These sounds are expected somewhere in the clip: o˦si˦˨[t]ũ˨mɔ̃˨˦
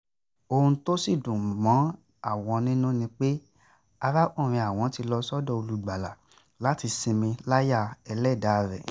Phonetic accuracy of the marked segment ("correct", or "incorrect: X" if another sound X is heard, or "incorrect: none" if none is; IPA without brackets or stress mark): incorrect: d